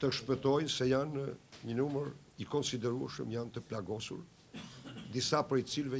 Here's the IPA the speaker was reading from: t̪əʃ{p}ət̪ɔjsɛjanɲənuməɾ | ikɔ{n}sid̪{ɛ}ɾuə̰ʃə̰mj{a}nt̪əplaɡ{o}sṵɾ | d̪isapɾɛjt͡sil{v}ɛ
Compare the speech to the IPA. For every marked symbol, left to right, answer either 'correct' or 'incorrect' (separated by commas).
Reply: correct, correct, correct, correct, incorrect, correct